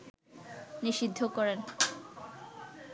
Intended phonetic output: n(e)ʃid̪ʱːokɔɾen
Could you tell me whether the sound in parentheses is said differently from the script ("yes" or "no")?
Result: yes